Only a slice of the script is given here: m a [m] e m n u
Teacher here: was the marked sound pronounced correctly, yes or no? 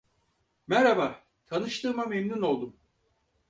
yes